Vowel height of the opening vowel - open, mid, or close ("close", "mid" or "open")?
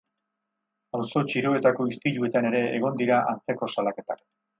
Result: open